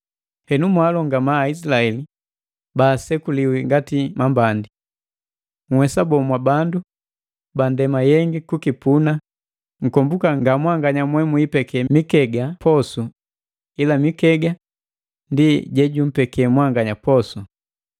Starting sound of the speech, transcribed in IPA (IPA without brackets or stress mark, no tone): h